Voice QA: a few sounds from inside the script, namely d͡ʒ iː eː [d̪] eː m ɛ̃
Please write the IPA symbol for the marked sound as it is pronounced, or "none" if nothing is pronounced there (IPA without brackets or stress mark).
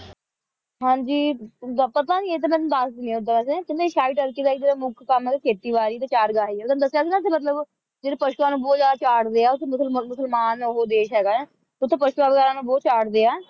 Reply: t̪